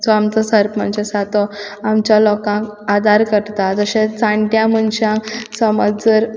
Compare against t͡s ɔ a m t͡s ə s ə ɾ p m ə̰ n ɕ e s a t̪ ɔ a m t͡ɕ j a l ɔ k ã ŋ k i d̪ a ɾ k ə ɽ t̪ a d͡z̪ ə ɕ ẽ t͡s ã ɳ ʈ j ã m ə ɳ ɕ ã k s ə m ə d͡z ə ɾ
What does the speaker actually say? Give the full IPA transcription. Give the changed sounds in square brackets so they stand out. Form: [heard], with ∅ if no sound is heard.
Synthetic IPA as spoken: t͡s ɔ a m t͡s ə s ə ɾ p m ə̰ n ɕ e s a t̪ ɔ a m t͡ɕ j a l ɔ k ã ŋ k [a] d̪ a ɾ k ə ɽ t̪ a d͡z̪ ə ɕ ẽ t͡s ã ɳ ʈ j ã m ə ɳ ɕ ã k s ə m ə d͡z ə ɾ